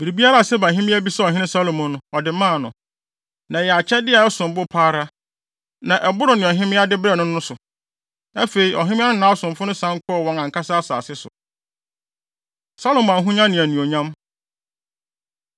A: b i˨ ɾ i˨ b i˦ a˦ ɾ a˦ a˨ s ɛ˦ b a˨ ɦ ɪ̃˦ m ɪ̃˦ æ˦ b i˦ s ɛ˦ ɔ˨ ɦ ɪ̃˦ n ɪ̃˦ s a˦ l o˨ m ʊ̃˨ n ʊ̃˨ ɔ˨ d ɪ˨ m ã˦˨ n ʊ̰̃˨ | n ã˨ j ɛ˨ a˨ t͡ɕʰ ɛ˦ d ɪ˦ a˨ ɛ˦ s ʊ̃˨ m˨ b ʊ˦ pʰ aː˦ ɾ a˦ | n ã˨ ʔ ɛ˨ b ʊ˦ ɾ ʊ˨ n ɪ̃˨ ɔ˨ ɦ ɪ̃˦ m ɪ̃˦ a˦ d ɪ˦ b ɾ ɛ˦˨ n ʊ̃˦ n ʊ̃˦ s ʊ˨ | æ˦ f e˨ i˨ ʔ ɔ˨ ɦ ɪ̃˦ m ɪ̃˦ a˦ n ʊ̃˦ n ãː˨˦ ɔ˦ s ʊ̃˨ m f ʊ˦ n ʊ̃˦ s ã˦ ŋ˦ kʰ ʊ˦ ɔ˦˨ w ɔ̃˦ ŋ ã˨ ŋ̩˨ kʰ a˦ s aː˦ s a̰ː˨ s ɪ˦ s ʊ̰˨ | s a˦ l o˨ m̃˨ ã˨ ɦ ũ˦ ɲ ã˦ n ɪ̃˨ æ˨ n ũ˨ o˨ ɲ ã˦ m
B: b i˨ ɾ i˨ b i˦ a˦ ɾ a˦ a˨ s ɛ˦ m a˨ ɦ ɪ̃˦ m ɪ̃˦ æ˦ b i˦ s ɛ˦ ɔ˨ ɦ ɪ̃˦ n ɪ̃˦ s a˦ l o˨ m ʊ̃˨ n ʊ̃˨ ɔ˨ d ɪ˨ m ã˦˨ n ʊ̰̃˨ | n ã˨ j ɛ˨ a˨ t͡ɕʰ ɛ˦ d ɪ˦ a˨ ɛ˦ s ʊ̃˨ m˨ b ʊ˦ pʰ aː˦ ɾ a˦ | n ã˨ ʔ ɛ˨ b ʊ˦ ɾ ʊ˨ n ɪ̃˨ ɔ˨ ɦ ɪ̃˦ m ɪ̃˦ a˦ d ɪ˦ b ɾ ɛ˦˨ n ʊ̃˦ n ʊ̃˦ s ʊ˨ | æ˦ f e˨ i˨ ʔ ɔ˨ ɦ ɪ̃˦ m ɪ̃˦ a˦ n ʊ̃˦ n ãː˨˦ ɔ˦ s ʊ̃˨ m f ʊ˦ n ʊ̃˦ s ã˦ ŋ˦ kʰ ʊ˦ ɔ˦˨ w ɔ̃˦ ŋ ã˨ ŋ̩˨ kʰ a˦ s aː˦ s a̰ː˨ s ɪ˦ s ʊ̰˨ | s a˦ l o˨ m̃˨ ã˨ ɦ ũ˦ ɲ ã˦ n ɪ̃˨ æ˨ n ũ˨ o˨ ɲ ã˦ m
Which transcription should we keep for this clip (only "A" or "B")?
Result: A